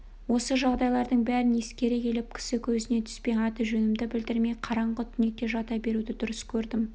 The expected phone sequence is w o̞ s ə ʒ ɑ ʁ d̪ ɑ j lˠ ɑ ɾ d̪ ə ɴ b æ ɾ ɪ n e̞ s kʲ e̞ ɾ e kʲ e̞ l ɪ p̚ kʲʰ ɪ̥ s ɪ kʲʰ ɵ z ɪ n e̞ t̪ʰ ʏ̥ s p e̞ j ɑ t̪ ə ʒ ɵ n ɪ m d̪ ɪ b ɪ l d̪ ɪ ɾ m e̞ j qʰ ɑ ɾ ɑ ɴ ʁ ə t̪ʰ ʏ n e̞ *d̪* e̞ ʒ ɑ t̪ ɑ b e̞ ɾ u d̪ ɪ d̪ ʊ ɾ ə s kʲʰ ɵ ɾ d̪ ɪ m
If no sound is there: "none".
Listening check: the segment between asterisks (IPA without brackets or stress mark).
t̪